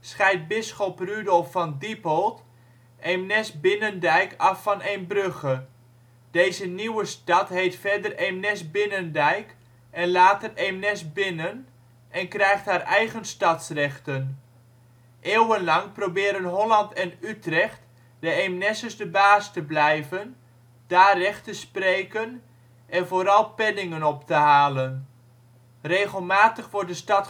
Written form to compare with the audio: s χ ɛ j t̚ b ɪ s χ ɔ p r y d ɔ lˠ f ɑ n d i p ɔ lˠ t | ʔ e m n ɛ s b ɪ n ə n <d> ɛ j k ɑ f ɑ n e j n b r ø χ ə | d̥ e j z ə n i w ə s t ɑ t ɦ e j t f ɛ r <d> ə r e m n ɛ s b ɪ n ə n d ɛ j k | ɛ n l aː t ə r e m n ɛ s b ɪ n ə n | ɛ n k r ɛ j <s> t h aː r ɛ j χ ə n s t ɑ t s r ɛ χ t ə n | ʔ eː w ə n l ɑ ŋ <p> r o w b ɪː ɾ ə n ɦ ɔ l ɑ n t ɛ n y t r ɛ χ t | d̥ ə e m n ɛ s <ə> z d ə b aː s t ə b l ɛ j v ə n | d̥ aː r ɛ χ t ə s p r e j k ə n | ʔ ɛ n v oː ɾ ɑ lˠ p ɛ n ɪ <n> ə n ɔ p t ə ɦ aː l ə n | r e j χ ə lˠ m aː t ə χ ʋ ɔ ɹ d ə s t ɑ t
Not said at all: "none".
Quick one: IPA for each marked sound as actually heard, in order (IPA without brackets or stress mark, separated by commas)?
d, d, χ, p, ə, ŋ